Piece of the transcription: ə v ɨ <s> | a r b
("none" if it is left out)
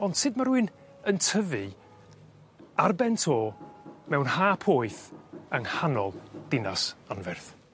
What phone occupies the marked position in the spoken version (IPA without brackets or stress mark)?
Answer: none